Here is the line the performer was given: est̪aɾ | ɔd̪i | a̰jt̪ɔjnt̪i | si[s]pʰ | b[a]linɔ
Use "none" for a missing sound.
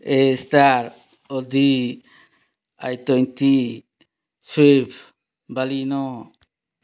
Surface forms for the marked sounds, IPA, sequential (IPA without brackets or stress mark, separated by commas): none, a